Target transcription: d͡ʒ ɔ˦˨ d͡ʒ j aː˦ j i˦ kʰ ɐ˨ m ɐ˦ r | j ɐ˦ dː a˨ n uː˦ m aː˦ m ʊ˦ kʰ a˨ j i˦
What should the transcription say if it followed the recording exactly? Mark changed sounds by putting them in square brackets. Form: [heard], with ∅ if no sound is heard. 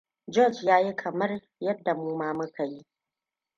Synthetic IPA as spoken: d͡ʒ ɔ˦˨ d͡ʒ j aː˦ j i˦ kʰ ɐ˨ m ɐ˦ r | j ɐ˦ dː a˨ [m] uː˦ m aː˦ m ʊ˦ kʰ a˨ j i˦